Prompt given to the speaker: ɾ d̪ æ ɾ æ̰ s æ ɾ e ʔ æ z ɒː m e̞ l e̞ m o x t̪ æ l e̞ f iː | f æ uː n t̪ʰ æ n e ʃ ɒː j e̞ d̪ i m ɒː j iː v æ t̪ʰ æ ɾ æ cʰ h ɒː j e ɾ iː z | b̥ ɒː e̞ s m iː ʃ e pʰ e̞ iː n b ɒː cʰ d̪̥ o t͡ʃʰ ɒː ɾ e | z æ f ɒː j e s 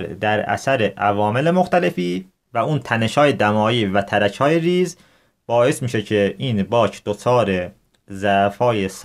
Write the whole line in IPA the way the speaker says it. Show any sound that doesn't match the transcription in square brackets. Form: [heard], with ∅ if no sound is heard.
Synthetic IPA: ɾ d̪ æ ɾ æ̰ s æ ɾ e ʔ æ [v] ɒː m e̞ l e̞ m o x t̪ æ l e̞ f iː | [v] æ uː n t̪ʰ æ n e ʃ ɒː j e̞ d̪ [æ] m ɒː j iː v æ t̪ʰ æ ɾ æ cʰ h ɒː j e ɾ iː z | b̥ ɒː e̞ s m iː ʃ e [cʰ] e̞ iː n b ɒː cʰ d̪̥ o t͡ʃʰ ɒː ɾ e | z æ f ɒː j e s